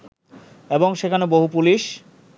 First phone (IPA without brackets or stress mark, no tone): e